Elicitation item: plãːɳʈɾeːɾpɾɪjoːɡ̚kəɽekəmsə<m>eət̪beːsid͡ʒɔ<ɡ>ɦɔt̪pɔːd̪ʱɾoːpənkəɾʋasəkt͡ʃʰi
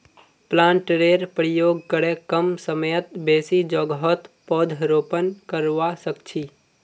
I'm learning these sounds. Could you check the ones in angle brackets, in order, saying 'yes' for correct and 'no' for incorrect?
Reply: yes, yes

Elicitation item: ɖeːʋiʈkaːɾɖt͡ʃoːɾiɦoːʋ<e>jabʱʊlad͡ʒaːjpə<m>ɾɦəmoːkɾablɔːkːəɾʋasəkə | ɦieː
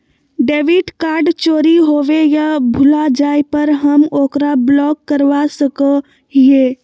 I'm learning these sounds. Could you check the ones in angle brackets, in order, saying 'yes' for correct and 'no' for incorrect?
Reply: yes, no

